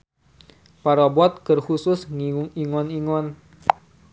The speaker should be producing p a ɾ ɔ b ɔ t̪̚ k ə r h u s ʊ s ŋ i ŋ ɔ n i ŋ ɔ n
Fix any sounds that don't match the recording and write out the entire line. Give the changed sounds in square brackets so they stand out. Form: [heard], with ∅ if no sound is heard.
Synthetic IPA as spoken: p a ɾ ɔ b ɔ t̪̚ k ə r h u s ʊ s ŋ i ŋ ɔ n i ŋ ɔ n